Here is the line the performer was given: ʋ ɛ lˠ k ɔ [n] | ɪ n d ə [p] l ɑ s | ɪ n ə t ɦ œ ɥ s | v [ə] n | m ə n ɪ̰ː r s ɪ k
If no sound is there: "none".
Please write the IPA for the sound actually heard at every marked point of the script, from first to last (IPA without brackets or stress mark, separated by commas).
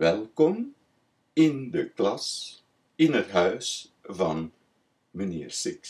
m, k, ɑ